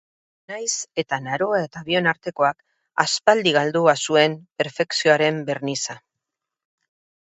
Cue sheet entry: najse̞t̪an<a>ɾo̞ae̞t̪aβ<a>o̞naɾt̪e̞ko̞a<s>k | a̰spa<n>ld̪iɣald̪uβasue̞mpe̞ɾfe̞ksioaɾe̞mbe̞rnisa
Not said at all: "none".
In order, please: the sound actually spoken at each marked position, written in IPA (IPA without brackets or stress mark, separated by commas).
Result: a, i, none, none